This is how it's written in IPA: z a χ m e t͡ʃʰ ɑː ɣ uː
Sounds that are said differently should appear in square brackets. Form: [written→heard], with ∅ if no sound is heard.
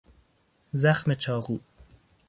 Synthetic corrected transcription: z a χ m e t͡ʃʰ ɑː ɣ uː